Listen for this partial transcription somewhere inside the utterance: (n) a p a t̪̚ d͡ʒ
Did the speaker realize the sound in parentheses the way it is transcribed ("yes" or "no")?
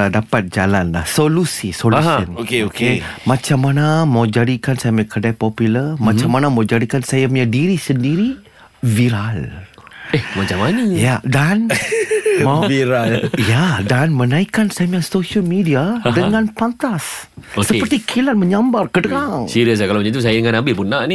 no